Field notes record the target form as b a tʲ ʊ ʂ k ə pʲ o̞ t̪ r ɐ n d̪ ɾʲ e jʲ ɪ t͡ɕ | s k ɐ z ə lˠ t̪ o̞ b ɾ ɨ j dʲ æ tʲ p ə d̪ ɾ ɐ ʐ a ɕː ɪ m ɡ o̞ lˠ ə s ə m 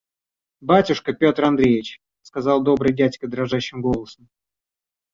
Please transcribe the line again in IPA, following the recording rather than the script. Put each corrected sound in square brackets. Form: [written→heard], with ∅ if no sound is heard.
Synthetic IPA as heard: b a tʲ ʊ ʂ k ə pʲ o̞ t̪ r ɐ n d̪ ɾʲ e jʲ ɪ t͡ɕ | s k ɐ z [ə→ɑ] lˠ [t̪→d̪] o̞ b ɾ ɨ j dʲ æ tʲ [p→k] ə d̪ ɾ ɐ ʐ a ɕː ɪ m ɡ o̞ lˠ ə s ə m